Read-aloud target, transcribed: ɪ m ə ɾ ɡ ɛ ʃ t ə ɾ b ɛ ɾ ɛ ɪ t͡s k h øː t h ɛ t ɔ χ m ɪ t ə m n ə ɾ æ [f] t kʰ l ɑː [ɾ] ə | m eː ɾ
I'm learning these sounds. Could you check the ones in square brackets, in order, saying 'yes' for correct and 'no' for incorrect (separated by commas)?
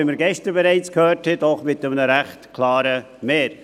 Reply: no, yes